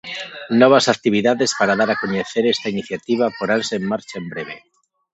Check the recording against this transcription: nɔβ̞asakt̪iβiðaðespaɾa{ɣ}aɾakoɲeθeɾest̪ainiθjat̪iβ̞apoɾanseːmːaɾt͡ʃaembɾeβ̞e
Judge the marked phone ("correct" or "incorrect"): incorrect